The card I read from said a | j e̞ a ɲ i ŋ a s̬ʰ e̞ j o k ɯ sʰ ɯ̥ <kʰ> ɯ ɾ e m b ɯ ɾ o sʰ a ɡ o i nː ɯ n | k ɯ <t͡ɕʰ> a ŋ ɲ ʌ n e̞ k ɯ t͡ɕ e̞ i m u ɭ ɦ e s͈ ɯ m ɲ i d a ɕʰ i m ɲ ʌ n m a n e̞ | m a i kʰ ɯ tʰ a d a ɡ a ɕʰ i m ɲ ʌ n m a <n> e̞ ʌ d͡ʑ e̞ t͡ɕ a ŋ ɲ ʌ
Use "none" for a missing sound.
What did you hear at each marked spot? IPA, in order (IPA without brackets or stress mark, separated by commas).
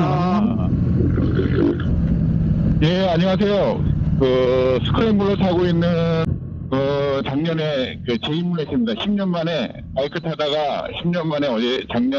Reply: kʰ, t͡ɕ, n